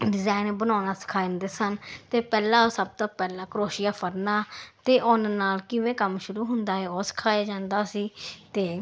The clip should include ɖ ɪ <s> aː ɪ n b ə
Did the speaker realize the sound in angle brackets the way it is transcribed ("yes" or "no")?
no